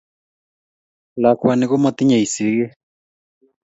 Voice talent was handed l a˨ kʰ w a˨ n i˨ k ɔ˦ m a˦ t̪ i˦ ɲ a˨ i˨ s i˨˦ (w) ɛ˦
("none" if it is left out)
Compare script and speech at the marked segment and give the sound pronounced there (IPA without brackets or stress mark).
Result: ɣ